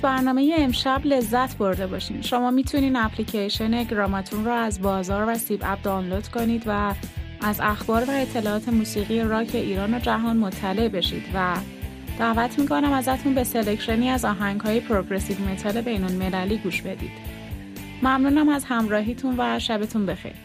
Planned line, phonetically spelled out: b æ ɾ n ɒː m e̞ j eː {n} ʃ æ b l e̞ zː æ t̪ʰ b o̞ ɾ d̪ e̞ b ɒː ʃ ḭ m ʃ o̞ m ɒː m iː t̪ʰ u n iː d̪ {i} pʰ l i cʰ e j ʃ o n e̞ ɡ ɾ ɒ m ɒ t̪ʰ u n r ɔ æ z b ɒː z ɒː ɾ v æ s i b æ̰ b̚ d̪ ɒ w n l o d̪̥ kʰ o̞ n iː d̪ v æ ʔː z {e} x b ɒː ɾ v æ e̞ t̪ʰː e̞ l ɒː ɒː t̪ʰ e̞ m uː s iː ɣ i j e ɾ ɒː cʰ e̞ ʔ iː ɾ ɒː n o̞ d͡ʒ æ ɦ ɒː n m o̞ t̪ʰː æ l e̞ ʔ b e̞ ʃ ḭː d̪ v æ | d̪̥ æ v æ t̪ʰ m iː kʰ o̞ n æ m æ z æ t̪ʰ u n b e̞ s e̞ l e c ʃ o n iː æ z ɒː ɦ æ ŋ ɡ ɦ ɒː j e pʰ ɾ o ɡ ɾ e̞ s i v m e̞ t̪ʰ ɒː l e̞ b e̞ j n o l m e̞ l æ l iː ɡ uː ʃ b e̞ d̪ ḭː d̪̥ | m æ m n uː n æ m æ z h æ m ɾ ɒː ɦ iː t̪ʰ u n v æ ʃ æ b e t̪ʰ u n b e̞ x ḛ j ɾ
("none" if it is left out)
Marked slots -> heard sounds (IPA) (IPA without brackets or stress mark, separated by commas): m, æ, æ